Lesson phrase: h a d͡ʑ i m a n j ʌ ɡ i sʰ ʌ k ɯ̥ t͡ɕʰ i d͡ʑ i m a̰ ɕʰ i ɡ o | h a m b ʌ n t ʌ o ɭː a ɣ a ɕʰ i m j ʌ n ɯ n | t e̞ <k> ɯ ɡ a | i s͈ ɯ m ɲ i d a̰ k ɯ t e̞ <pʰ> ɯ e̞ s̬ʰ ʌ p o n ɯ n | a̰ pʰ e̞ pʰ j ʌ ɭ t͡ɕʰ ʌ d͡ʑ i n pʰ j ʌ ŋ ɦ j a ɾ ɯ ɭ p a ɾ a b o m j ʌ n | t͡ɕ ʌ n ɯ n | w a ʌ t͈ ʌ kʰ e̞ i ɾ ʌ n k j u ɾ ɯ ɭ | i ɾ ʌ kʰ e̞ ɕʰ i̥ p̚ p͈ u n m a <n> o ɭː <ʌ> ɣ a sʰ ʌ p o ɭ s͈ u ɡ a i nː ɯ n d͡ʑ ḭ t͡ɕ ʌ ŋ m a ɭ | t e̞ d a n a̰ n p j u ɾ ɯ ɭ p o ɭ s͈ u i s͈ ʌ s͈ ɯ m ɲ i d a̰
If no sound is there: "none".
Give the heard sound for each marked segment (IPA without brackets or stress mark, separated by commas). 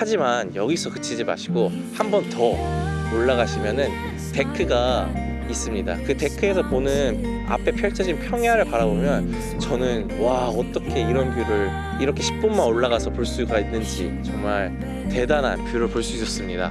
kʰ, kʰ, n, a